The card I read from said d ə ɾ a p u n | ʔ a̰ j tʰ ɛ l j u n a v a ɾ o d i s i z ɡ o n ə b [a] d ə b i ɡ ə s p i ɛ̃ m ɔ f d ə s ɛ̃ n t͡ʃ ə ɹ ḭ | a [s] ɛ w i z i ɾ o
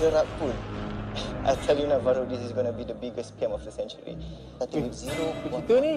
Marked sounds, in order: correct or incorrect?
incorrect: i, incorrect: t

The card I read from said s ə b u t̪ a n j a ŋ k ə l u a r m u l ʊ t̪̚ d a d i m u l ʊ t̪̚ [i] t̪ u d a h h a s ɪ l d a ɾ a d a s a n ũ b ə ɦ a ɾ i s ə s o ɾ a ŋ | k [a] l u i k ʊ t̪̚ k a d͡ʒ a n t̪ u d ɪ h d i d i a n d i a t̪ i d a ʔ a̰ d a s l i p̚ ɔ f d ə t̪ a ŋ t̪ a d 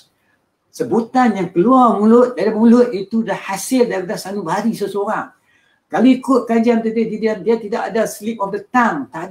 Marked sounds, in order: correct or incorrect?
correct, correct

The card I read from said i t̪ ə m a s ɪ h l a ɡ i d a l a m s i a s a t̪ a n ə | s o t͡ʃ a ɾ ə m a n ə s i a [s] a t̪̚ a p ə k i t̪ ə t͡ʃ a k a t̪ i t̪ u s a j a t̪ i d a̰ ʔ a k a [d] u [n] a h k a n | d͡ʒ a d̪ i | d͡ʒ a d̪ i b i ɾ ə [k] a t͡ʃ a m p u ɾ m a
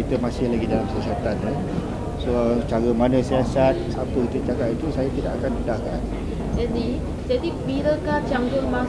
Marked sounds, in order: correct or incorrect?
correct, incorrect: n, incorrect: d, correct

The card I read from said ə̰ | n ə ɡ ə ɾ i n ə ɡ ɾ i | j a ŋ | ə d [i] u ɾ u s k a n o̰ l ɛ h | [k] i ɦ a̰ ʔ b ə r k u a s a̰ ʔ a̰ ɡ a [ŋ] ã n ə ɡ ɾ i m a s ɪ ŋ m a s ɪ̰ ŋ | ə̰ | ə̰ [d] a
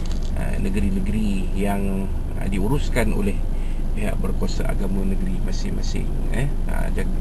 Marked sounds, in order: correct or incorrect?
correct, incorrect: p, incorrect: m, incorrect: d͡ʒ

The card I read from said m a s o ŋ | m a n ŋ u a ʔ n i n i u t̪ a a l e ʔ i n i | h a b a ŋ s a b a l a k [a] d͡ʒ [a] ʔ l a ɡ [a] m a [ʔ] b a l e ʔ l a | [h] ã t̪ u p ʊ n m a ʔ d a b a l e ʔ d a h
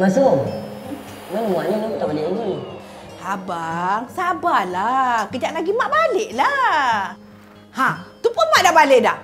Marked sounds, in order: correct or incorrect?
incorrect: ə, correct, incorrect: i, correct, correct

